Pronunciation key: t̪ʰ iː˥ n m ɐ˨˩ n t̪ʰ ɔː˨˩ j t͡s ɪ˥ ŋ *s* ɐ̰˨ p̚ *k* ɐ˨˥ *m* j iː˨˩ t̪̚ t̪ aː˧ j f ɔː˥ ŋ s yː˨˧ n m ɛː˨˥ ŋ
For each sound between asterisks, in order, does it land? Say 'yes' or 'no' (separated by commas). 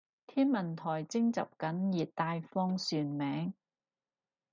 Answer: no, yes, no